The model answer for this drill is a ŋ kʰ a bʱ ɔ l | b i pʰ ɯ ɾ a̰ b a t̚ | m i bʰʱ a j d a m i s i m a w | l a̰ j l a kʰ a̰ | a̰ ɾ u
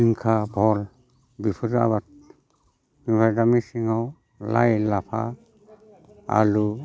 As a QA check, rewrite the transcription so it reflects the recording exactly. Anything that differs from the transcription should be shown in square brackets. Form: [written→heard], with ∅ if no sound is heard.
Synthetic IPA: [a→i] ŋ kʰ a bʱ ɔ l | b i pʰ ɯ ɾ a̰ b a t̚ | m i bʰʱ a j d a m i s i [m→ŋ] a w | l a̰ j l a [kʰ→pʰ] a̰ | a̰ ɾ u